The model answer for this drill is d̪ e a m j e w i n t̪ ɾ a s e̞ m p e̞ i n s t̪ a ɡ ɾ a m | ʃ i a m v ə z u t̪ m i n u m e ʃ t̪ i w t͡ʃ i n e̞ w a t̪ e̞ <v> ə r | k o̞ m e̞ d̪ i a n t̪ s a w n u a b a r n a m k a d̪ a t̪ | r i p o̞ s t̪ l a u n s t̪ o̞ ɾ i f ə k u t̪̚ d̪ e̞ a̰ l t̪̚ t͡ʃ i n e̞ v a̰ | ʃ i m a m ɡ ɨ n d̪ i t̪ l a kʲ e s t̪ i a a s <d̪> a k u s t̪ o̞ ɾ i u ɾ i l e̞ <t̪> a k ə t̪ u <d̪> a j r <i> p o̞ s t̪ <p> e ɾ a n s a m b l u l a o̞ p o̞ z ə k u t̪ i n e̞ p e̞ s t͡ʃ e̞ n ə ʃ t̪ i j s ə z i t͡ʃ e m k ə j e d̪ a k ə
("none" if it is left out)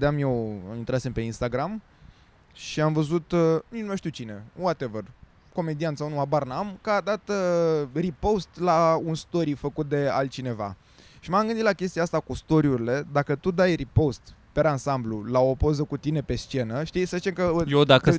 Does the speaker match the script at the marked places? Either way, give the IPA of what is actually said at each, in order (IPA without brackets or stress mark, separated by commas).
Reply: v, t̪, d̪, d̪, i, p